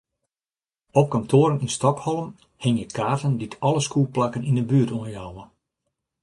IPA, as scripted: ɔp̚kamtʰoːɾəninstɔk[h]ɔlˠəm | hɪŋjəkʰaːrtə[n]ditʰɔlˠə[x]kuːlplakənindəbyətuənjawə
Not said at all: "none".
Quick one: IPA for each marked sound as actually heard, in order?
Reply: h, n, s

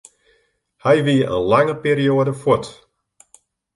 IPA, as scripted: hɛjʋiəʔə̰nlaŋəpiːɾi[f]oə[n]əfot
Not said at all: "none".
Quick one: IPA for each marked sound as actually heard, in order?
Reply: none, d

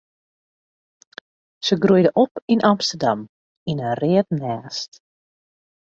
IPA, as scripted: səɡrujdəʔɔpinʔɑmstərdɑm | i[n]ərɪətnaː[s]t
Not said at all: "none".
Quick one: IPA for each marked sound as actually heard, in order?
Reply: n, s

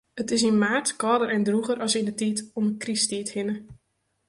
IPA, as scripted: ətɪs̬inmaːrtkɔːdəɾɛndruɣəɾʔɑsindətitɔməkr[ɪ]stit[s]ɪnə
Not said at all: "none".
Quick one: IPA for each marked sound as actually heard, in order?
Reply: i, h

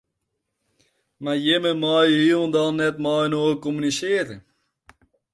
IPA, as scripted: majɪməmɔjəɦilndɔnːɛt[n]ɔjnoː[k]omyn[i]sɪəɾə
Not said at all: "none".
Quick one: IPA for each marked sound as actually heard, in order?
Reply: m, k, i

